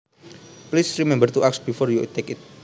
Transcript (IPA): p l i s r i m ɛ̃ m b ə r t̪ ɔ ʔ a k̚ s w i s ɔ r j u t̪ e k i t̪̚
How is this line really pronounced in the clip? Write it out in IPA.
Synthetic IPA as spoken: p l i s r i m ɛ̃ m b ə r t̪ u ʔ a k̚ s b i f ɔ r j u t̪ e k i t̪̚